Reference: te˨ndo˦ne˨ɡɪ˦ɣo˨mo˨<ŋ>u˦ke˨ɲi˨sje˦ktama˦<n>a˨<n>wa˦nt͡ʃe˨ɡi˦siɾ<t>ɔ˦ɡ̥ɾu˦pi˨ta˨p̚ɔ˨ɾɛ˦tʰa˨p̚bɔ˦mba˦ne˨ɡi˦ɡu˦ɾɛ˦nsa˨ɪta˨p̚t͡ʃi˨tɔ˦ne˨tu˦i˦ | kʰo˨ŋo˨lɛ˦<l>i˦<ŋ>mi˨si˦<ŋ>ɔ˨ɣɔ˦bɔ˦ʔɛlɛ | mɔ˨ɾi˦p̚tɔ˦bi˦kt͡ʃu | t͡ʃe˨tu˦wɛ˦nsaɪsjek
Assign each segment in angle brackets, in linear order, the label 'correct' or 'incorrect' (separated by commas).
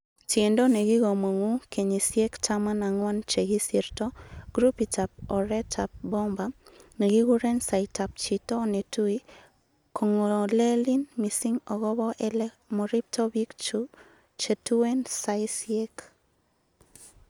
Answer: correct, correct, incorrect, correct, correct, incorrect, correct